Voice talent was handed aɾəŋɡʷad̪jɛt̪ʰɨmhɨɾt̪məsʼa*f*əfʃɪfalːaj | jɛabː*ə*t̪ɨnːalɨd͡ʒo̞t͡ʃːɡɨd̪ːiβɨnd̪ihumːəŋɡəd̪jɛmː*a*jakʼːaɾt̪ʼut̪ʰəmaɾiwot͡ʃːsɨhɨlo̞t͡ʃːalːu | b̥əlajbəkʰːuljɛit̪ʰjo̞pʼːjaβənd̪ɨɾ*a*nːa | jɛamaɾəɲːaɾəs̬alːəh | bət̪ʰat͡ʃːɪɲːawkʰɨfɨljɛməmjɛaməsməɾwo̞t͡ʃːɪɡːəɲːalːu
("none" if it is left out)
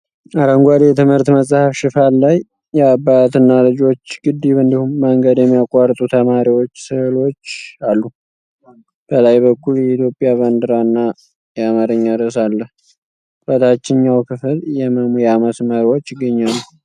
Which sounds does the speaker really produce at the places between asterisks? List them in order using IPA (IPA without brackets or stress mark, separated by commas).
h, a, i, a